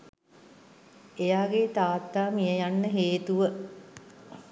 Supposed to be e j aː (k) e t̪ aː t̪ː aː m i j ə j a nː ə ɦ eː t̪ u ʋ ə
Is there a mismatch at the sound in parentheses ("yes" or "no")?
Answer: yes